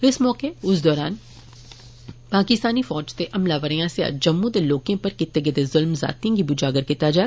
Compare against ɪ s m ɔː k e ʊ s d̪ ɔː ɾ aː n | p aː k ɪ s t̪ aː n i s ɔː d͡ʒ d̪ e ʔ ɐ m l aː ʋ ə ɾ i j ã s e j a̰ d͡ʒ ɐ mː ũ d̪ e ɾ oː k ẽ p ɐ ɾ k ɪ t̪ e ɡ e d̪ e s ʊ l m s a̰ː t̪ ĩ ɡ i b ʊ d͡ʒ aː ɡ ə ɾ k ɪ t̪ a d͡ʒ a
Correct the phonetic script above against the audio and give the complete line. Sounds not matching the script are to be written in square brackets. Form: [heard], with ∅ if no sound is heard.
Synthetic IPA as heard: ɪ s m ɔː k e ʊ s d̪ ɔː ɾ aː n | p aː k ɪ s t̪ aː n i [f] ɔː d͡ʒ [t̪] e ʔ ɐ m l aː ʋ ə ɾ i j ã s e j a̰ d͡ʒ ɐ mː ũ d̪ e [l] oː k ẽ p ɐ ɾ k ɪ t̪ e ɡ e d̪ e [z] ʊ l m [z] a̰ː t̪ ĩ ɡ i b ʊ d͡ʒ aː ɡ ə ɾ k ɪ t̪ a d͡ʒ a

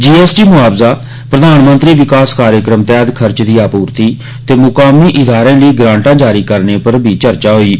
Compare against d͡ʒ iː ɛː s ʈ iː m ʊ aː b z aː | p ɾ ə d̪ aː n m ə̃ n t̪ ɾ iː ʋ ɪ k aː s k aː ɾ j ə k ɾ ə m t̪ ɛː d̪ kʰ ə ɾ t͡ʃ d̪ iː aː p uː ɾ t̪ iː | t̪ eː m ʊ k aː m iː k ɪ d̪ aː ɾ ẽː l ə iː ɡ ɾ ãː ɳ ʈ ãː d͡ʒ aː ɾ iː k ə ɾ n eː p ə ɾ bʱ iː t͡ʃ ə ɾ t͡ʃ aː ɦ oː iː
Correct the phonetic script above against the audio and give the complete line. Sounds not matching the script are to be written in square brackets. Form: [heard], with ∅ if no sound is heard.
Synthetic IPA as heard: d͡ʒ iː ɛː s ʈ iː m ʊ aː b z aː | p ɾ ə d̪ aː n m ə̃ n t̪ ɾ iː ʋ ɪ k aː s k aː ɾ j ə k ɾ ə m t̪ ɛː d̪ kʰ ə ɾ t͡ʃ d̪ iː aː p uː ɾ t̪ iː | t̪ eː m ʊ k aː m iː [ʔ] ɪ d̪ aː ɾ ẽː l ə iː ɡ ɾ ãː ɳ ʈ ãː d͡ʒ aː ɾ iː k ə ɾ n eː p ə ɾ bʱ iː t͡ʃ ə ɾ t͡ʃ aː ɦ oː iː

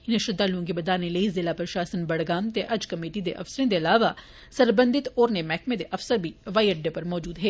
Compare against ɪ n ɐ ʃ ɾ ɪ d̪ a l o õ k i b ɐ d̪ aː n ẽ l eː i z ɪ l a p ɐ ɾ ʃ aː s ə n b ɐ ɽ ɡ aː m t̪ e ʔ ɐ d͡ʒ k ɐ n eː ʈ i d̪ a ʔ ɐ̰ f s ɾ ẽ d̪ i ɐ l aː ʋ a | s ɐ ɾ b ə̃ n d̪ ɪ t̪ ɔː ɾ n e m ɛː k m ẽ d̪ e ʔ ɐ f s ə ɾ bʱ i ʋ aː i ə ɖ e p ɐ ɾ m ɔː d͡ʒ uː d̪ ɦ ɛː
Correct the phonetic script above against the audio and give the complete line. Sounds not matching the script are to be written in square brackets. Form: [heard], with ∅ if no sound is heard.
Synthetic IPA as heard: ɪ n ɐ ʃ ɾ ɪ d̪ a l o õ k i b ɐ d̪ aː n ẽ l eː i z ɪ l a p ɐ ɾ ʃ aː s ə n b ɐ ɽ ɡ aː m t̪ e ʔ ɐ d͡ʒ k ɐ [m] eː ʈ i d̪ [e] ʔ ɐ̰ f s ɾ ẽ d̪ [e] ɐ l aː ʋ a | s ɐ ɾ b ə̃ n d̪ ɪ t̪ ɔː ɾ n e m ɛː k m ẽ d̪ e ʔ ɐ f s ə ɾ bʱ i ʋ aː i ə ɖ e p ɐ ɾ m ɔː d͡ʒ uː d̪ ɦ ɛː

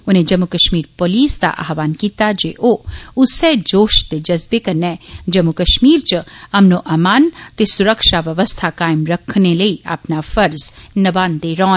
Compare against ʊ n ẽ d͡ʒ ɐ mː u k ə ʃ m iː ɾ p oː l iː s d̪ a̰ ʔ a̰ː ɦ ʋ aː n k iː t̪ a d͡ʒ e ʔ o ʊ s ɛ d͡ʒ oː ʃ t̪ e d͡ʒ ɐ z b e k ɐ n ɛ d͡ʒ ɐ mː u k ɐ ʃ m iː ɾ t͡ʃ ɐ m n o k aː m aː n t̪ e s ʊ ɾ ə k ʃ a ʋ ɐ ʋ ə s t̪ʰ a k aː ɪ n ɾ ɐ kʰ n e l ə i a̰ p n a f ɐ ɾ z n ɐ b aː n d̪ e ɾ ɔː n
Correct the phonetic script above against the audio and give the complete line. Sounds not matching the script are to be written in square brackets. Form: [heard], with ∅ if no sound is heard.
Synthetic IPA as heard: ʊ n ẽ d͡ʒ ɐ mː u k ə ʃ m iː ɾ p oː l iː s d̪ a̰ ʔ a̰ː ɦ ʋ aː n k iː t̪ a d͡ʒ e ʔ o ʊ s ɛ d͡ʒ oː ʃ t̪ e d͡ʒ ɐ z b e k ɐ n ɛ d͡ʒ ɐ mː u k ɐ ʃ m iː ɾ t͡ʃ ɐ m n o [ʔ] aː m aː n t̪ e s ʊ ɾ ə k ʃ a ʋ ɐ ʋ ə s t̪ʰ a k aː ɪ [m] ɾ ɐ kʰ n e l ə i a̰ p n a f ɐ ɾ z n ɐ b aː n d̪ e ɾ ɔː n

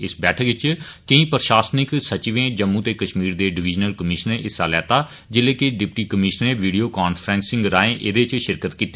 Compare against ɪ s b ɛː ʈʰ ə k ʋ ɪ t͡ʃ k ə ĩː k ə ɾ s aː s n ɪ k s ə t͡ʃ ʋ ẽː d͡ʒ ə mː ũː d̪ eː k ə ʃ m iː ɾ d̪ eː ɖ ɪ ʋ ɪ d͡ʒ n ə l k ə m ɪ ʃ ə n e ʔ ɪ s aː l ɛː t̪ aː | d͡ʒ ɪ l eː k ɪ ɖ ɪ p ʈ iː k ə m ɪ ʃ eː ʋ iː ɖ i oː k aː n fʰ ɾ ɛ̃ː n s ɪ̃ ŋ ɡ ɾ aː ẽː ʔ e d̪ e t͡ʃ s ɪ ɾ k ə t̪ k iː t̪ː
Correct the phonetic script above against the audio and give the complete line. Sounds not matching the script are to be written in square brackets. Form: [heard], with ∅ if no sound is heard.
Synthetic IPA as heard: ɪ s b ɛː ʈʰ ə k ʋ ɪ t͡ʃ k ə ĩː [p] ə ɾ [ʃ] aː s n ɪ k s ə t͡ʃ ʋ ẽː d͡ʒ ə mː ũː [t̪] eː k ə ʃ m iː ɾ d̪ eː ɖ ɪ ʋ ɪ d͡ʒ n ə l k ə m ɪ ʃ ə n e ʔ ɪ s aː l ɛː t̪ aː | d͡ʒ ɪ l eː k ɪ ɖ ɪ p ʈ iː k ə m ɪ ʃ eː ʋ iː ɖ i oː k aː n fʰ ɾ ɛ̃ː n s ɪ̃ ŋ ɡ ɾ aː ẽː ʔ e d̪ e t͡ʃ [ʃ] ɪ ɾ k ə t̪ k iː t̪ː

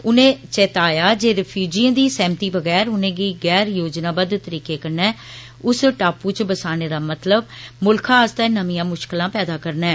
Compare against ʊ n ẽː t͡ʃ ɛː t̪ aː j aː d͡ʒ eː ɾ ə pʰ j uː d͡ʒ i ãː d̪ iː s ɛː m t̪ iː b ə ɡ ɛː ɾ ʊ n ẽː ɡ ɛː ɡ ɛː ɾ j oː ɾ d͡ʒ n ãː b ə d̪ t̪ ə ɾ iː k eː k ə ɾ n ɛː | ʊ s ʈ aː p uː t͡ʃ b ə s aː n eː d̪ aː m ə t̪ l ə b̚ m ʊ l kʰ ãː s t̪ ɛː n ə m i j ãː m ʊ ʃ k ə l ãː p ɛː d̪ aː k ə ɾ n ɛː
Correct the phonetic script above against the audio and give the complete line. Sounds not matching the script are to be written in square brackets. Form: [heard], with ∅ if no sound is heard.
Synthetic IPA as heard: ʊ n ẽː t͡ʃ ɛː t̪ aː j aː d͡ʒ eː ɾ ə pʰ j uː d͡ʒ i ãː d̪ iː s ɛː m t̪ iː b ə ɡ ɛː ɾ ʊ n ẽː ɡ [iː] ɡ ɛː ɾ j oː [∅] d͡ʒ n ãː b ə d̪ t̪ ə ɾ iː k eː k ə ɾ n ɛː | ʊ s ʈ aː p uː t͡ʃ b ə s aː n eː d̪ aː m ə t̪ l ə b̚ m ʊ l kʰ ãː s t̪ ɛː n ə m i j ãː m ʊ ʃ k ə l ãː p ɛː d̪ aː k ə ɾ n ɛː

